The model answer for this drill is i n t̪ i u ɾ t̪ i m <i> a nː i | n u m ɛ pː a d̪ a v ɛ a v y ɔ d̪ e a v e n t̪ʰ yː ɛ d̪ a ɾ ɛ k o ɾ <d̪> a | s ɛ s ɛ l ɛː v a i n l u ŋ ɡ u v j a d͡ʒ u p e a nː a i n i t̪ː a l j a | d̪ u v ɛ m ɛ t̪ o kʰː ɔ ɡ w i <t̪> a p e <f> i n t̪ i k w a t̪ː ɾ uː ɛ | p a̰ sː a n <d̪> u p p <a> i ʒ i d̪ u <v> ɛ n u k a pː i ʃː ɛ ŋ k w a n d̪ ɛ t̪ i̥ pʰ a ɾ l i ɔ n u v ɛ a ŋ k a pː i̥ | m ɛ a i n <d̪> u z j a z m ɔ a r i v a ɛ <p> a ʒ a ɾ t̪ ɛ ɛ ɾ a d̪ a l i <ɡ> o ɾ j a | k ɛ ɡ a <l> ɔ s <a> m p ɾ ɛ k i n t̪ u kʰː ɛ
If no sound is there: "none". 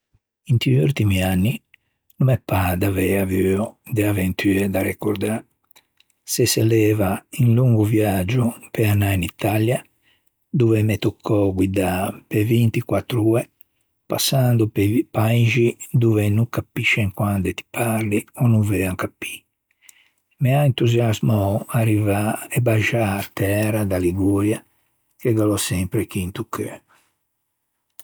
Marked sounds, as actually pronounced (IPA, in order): i, d̪, d̪, v, d̪, a, v, t̪, b, ɡ, l, ɛ

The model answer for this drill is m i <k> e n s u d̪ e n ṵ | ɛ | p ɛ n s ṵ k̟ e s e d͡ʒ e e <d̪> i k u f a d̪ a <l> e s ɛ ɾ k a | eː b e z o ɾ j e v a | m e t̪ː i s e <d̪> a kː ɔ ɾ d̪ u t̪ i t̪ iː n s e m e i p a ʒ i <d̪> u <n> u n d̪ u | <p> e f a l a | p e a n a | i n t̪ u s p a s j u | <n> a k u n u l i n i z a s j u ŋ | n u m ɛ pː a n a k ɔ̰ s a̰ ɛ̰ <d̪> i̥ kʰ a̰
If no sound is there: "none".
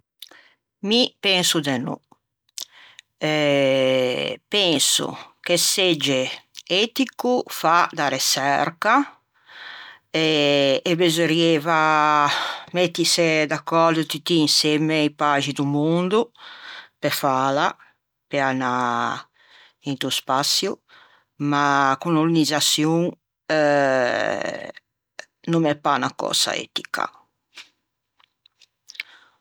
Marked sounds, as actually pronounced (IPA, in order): p, t̪, ɾ, d̪, d̪, m, p, m, t̪

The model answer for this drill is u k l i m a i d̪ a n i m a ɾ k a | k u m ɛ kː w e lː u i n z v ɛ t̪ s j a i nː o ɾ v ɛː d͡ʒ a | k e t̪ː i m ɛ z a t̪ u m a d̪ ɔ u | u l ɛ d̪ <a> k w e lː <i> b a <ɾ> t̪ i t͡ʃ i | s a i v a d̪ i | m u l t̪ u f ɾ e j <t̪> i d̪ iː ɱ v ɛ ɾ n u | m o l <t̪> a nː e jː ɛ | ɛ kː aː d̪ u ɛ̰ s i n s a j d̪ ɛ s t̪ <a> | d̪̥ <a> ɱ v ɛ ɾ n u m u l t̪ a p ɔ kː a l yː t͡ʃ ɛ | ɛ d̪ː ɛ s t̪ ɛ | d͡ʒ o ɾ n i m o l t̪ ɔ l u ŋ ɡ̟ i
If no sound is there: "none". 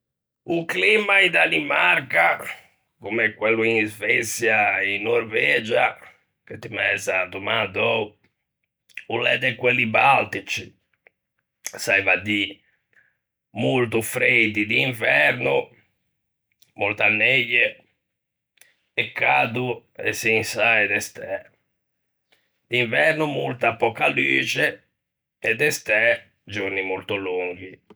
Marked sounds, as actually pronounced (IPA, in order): ɛ, i, l, d̪, t̪, ɛ, i

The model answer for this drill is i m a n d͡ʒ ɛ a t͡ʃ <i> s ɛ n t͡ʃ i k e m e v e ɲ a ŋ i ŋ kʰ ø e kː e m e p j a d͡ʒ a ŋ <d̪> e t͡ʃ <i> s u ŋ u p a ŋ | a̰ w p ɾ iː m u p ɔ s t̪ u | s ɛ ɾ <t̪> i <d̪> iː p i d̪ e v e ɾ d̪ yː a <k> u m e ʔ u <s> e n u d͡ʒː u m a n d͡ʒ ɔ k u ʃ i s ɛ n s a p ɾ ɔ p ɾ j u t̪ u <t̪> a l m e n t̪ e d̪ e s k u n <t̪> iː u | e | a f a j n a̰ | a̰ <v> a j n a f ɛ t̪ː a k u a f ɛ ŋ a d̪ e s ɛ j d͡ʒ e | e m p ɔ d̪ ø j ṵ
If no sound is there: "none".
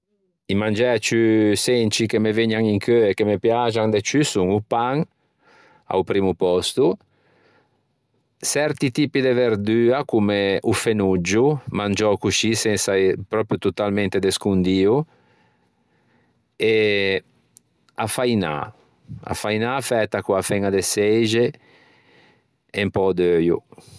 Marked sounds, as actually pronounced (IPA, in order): y, d̪, y, t̪, t̪, k, f, t̪, d̪, f

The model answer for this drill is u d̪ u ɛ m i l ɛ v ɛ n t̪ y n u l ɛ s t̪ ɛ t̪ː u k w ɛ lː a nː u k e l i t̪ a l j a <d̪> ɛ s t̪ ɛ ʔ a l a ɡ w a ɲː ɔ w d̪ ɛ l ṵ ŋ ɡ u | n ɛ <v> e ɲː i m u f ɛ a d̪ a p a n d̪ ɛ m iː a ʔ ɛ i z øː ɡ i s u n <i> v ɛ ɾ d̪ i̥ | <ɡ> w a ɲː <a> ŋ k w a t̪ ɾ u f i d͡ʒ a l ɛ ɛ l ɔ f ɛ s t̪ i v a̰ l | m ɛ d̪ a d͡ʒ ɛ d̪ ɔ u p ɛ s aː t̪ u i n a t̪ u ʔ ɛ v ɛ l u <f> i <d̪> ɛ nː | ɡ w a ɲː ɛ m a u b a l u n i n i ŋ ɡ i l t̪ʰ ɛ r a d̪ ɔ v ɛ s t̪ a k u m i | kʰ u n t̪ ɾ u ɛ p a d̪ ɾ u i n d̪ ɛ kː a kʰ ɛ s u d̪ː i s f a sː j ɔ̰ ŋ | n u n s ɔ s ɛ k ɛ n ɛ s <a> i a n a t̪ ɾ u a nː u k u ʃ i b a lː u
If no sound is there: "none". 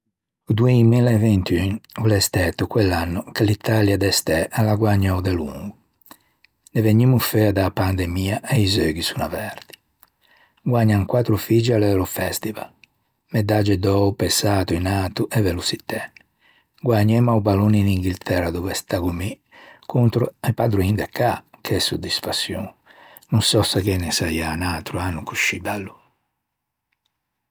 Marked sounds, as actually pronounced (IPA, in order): d̪, v, a, ɡ, a, s, t̪, a

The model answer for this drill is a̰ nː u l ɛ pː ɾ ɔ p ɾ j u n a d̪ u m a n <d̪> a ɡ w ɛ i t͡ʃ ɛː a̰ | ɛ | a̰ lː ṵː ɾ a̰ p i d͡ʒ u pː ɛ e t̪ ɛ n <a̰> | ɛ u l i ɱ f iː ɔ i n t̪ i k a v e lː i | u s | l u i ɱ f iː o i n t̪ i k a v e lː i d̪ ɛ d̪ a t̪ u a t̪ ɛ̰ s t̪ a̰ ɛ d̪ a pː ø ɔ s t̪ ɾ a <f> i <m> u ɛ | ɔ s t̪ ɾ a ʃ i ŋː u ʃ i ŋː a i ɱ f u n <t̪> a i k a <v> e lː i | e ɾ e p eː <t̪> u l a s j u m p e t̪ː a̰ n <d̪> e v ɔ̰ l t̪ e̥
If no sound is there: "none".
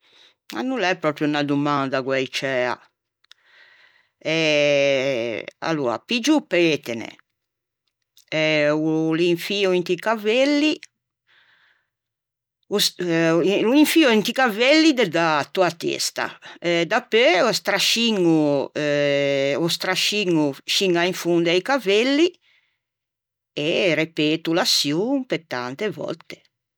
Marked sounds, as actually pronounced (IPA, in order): d̪, ɛ̰, ʃ, ŋ, d̪, v, t̪, t̪

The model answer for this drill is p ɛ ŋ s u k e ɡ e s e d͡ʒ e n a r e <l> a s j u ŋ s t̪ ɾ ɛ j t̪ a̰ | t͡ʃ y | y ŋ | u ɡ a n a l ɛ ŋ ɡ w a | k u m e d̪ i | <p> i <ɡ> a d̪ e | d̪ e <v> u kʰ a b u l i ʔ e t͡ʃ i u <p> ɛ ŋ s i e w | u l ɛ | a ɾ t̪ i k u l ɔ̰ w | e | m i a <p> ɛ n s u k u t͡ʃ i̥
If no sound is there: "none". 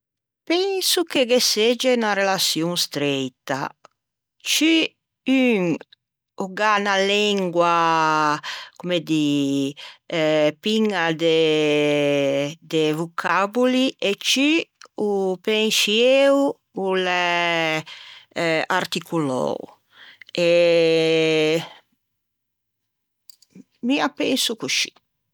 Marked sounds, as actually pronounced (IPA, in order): l, p, ŋ, v, p, p

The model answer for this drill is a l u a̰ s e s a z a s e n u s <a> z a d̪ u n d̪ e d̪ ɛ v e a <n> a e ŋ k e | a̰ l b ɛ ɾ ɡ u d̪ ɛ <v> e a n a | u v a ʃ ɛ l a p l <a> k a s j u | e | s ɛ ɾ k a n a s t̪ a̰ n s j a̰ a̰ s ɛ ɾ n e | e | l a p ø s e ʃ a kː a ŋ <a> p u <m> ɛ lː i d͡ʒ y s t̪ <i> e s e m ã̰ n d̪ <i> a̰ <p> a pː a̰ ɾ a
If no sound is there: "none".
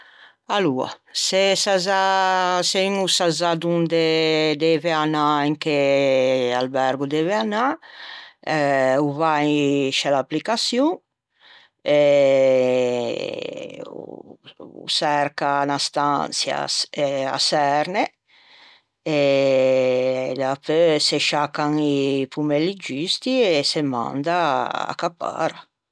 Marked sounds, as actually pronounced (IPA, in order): a, n, v, i, i, m, i, a, k

